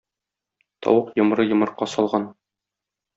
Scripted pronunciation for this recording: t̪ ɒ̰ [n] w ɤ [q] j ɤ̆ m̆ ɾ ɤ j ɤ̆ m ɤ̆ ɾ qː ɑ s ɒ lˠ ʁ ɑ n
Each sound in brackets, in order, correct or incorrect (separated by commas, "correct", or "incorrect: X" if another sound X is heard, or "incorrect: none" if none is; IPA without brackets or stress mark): incorrect: none, correct